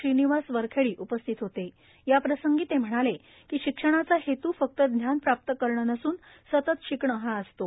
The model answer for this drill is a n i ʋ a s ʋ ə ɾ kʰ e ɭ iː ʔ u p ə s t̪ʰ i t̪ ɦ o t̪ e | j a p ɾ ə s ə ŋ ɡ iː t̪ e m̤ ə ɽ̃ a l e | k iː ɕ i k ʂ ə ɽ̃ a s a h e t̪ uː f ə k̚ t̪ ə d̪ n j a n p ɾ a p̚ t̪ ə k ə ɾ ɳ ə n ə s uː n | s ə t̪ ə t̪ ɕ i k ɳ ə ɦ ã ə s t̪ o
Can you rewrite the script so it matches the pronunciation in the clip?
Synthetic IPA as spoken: i n i ʋ a s ʋ ə ɾ kʰ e ɭ iː ʔ u p ə s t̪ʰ i t̪ ɦ o t̪ e | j a p ɾ ə s ə ŋ ɡ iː t̪ e m̤ ə ɽ̃ a l e | k iː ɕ i k ʂ ə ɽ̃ a t͡s a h e t̪ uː f ə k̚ t̪ ə d̪ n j a n p ɾ a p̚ t̪ ə k ə ɾ ɳ ə n ə s uː n | s ə t̪ ə t̪ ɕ i k ɳ ə ɦ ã ə s t̪ o